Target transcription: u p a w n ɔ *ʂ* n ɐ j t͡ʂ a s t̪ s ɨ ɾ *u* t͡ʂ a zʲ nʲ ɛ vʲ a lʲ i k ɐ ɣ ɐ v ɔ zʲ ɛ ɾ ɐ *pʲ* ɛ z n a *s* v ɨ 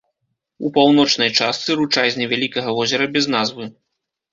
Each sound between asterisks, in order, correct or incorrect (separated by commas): incorrect, correct, incorrect, incorrect